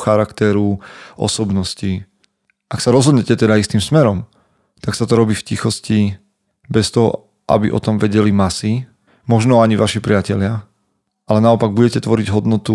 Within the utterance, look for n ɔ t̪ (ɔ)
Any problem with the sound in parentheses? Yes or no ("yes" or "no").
yes